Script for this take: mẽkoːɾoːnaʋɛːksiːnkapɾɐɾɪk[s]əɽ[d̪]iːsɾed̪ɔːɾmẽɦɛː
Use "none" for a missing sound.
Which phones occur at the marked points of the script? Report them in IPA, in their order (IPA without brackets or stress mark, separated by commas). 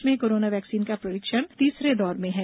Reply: ʃ, t̪